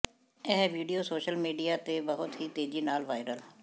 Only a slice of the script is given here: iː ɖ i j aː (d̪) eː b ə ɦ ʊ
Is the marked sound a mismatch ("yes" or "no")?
yes